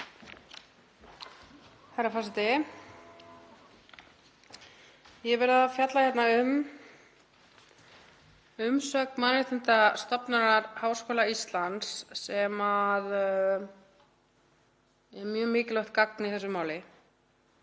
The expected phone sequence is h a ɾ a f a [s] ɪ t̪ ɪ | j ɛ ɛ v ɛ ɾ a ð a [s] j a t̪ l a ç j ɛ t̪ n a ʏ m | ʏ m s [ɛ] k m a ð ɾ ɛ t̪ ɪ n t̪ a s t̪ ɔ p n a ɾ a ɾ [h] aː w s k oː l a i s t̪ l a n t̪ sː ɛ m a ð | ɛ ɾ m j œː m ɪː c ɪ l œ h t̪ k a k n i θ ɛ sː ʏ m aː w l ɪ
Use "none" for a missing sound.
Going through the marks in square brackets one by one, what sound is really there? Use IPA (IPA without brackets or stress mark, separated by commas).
s, f, œ, h